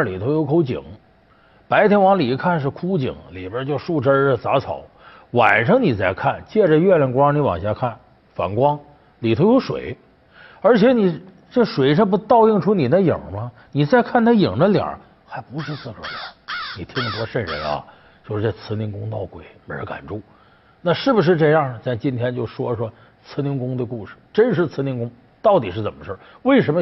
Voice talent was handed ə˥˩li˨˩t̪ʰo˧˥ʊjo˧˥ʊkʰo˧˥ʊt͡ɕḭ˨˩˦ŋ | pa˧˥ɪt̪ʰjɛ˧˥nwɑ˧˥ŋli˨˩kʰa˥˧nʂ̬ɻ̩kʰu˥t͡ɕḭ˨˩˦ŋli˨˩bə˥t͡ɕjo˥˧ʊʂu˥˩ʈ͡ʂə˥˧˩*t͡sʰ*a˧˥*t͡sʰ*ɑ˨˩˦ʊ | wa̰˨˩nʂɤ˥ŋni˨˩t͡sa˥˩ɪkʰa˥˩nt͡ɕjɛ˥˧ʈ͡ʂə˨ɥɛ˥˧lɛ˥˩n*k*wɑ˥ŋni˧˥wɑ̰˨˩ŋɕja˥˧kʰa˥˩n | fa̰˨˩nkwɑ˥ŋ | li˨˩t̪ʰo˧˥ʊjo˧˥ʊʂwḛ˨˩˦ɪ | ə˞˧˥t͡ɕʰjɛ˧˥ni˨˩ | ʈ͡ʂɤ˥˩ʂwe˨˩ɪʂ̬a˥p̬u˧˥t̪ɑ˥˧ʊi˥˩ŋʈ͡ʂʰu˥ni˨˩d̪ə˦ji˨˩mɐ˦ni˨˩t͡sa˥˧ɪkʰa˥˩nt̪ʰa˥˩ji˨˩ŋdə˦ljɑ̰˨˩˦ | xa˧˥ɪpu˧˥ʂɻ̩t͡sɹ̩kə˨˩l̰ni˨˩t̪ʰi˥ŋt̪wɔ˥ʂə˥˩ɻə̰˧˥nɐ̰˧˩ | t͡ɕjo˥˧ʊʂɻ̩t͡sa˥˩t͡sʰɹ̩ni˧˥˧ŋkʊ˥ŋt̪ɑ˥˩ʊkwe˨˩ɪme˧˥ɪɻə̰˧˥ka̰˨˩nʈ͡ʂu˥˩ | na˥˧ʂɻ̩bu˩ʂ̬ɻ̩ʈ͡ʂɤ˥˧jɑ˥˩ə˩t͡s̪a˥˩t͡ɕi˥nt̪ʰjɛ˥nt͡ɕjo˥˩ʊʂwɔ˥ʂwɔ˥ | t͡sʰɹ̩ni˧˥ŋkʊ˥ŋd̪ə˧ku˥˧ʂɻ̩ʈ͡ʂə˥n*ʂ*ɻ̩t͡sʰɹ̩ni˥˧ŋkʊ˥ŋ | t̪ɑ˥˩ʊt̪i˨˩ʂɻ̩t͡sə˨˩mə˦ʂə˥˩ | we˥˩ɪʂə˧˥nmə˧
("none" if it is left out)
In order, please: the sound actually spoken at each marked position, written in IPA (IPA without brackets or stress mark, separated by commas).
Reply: t͡s, t͡sʰ, k, ʂ